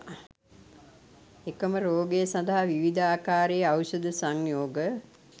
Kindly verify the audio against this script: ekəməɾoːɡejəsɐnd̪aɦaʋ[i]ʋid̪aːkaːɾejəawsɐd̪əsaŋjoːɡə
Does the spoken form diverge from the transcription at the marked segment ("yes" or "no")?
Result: no